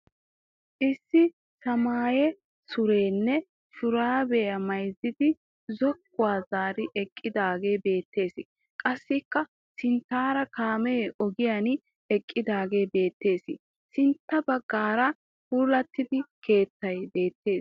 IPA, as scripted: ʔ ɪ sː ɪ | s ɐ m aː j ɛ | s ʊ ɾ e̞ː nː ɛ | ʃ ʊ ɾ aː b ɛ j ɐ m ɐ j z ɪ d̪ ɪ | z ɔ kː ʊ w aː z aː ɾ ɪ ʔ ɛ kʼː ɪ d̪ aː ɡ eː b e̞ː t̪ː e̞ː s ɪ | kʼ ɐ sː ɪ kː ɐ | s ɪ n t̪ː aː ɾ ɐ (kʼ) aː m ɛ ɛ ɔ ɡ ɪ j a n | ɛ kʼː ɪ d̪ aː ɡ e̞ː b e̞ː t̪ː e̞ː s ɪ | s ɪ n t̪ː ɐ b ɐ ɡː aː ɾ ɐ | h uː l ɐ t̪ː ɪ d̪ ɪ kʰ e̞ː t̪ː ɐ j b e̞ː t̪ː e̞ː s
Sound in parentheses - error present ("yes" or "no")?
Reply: yes